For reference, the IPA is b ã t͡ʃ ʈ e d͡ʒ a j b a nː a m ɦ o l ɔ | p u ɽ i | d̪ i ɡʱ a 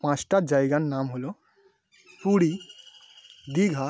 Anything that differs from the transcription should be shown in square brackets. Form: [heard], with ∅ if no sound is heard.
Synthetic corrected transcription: [p] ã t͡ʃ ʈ [a] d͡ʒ a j [ɡ] a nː a m ɦ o l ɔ | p u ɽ i | d̪ i ɡʱ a